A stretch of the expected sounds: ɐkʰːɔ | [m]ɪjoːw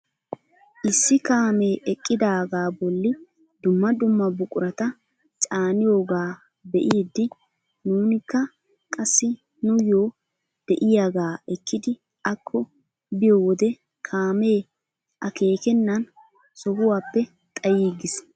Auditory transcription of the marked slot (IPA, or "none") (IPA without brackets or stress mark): b